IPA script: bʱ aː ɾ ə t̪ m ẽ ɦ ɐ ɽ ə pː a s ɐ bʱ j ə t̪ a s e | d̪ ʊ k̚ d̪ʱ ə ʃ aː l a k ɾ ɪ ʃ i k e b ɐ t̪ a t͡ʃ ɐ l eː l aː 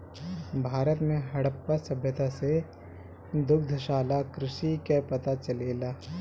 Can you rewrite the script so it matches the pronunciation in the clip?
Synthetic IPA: bʱ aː ɾ ə t̪ m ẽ ɦ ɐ ɽ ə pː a s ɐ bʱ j ə t̪ a s e | d̪ ʊ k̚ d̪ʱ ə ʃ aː l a k ɾ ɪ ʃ i k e p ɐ t̪ a t͡ʃ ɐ l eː l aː